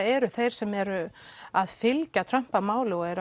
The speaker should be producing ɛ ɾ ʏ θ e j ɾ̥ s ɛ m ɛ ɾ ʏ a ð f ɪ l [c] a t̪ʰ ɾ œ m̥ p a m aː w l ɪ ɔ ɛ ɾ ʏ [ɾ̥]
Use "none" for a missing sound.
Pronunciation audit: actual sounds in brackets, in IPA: c, none

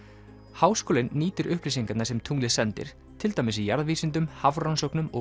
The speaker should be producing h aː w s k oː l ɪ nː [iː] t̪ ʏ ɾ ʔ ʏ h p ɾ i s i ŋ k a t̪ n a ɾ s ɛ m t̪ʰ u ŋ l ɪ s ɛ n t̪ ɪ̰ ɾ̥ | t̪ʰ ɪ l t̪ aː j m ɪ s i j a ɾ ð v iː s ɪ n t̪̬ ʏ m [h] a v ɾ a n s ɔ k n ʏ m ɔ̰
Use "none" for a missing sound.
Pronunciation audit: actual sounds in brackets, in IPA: iː, h

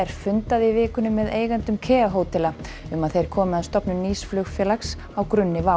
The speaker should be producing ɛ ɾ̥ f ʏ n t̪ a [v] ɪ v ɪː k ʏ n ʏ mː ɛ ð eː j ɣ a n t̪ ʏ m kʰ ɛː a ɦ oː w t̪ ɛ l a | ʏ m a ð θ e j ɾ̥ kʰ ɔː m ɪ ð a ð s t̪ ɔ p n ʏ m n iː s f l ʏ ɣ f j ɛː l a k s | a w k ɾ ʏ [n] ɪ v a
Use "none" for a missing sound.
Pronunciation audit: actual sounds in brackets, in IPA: ð, nː

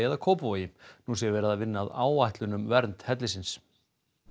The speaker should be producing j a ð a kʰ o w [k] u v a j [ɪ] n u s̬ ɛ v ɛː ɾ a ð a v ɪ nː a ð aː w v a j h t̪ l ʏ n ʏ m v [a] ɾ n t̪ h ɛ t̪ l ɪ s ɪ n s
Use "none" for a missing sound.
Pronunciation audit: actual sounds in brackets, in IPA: p, ɪ, ɛ

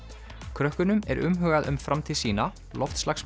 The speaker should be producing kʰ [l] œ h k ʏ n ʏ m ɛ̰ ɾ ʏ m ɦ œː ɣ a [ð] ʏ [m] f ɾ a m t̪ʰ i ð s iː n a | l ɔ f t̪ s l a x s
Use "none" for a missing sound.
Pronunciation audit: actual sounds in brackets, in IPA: ɾ, ð, m

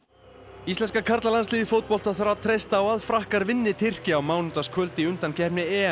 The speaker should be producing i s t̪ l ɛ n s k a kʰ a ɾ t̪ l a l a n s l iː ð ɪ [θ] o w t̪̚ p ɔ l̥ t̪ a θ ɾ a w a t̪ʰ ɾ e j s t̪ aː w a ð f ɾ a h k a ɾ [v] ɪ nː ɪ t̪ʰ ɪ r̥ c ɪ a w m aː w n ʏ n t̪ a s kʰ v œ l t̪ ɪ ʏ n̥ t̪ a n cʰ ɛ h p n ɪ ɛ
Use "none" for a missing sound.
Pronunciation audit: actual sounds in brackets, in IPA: f, v

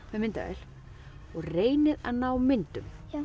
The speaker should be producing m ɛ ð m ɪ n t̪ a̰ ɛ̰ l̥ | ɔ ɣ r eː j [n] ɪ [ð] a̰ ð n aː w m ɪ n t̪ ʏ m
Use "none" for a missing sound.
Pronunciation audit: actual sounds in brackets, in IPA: n, ð

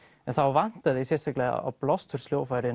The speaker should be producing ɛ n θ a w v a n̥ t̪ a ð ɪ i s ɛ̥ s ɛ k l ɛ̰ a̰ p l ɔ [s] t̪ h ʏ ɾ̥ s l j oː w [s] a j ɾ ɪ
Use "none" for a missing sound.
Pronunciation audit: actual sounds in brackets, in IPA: s, f

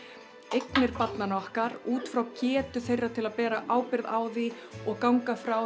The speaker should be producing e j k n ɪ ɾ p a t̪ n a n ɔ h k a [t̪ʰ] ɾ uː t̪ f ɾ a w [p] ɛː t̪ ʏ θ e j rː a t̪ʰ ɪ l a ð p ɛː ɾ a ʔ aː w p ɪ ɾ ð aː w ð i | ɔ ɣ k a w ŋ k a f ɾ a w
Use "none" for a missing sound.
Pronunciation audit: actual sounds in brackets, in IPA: none, c

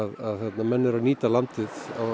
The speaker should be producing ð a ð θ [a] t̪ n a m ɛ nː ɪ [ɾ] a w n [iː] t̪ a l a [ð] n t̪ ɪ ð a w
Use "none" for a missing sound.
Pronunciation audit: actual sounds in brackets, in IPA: ɛ, ɾ, iː, none

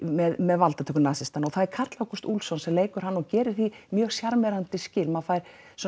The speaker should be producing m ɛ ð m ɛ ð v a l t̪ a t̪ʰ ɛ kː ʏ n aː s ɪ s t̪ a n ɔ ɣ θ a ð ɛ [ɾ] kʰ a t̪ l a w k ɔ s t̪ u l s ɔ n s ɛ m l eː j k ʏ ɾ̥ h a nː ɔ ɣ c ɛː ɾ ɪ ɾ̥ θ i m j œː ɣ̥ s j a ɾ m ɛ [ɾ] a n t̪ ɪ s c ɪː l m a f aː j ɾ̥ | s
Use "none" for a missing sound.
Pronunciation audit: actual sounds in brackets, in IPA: ɾ, ɾ

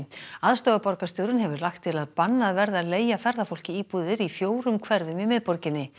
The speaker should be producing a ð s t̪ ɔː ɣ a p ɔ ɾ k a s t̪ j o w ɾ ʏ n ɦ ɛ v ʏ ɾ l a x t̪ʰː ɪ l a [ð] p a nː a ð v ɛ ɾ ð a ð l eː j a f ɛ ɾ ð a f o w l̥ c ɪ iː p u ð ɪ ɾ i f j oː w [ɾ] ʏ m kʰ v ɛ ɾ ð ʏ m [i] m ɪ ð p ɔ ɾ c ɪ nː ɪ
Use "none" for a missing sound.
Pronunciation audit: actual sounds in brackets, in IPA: ð, ɾ, i

